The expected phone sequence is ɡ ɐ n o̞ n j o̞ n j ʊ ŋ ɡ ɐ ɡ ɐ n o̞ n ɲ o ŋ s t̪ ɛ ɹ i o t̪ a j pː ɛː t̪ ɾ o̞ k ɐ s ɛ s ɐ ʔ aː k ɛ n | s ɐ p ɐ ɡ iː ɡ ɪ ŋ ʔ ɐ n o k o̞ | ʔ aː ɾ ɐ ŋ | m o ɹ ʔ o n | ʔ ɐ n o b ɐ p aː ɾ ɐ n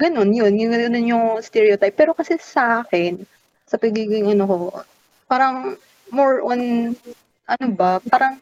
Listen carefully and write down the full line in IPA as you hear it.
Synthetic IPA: ɡ ɐ n o̞ n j o̞ n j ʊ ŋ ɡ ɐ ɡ ɐ n o̞ n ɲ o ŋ s t̪ ɛ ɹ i o t̪ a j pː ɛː ɾ o̞ k ɐ s ɛ s ɐ ʔ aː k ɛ n | s ɐ p ɐ ɡ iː ɡ ɪ ŋ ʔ ɐ n o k o̞ | p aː ɾ ɐ ŋ | m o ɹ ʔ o n | ʔ ɐ n o b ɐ p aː ɾ ɐ ŋ